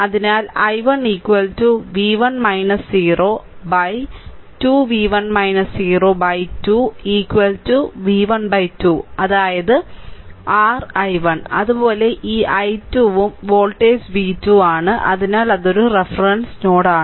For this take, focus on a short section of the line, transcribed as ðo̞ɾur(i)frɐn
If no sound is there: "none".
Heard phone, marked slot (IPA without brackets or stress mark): e